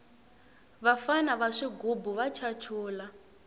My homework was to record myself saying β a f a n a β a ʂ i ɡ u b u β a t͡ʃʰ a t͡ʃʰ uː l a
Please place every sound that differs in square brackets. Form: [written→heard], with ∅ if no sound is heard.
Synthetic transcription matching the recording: β a f a n a β a ʂ i ɡ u b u β a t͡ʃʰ a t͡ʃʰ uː l a